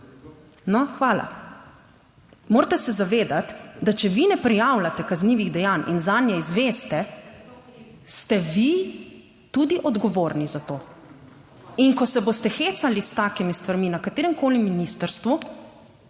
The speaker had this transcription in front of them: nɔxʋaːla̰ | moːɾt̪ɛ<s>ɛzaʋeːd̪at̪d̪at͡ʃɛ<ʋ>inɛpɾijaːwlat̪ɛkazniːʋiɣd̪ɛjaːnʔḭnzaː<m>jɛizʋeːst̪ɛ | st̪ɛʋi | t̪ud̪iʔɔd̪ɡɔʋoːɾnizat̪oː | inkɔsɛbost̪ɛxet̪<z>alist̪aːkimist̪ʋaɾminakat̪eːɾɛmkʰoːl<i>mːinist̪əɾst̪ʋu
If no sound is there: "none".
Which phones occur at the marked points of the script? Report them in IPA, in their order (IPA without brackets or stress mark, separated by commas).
s, ʋ, n, s, i